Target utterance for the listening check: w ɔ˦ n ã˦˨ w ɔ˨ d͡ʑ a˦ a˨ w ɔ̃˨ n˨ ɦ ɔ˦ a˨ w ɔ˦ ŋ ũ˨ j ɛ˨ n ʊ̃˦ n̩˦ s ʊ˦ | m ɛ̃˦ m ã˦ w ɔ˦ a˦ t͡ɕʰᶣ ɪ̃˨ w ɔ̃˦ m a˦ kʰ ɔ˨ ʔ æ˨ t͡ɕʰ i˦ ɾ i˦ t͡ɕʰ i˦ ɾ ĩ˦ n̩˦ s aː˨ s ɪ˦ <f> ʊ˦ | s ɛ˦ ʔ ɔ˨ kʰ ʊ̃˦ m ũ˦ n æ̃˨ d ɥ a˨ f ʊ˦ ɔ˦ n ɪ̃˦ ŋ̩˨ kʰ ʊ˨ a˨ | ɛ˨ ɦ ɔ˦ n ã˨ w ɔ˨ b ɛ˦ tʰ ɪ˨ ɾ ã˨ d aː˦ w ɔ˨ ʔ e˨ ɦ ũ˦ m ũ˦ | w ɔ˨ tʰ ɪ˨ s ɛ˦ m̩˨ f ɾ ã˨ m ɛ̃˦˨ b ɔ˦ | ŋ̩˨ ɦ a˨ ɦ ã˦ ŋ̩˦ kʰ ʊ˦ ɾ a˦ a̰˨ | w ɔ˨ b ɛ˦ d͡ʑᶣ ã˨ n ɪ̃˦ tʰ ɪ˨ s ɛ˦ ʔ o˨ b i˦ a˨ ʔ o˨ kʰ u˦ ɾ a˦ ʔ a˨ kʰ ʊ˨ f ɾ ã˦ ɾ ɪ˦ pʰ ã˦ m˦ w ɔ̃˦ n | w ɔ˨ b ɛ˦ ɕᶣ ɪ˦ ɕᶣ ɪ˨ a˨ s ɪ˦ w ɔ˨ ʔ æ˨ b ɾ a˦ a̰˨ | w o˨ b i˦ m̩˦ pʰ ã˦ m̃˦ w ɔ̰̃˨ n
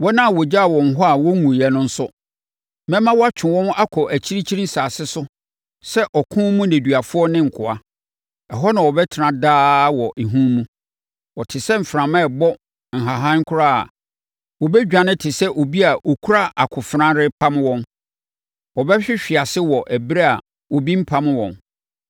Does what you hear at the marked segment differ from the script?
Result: yes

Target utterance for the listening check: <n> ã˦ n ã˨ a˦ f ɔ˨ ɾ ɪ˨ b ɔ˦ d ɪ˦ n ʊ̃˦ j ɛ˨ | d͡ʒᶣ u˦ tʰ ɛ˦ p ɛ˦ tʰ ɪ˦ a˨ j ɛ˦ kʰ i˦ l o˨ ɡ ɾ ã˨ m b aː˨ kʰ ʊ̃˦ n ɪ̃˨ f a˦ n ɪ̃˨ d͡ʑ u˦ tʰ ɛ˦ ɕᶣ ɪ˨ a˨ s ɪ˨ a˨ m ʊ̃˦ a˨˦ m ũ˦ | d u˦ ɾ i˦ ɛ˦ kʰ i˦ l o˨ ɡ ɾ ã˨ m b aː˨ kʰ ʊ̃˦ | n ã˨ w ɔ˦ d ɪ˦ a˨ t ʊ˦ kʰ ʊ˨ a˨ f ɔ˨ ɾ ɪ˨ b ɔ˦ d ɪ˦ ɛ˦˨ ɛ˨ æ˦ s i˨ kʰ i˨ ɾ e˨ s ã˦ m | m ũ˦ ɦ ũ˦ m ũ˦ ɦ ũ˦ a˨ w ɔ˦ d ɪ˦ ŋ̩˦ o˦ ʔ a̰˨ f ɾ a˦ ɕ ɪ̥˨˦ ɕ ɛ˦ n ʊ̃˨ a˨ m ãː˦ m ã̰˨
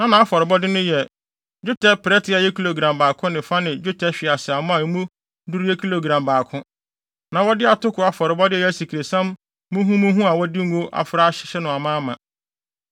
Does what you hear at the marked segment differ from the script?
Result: no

